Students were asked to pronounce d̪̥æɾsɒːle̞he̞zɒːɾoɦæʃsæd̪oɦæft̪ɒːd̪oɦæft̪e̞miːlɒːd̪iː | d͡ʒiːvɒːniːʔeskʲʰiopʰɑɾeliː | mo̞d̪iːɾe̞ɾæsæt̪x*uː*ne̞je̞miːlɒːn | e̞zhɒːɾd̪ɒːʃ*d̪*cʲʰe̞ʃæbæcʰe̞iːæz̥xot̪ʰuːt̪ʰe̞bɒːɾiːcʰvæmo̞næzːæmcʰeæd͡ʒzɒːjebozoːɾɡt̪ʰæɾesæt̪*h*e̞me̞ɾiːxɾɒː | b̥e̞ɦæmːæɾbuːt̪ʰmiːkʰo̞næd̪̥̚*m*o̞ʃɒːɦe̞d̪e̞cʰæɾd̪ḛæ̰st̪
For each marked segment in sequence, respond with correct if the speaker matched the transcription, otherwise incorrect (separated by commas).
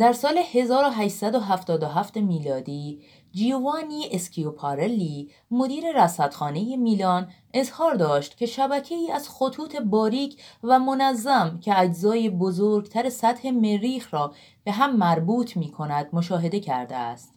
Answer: incorrect, incorrect, correct, correct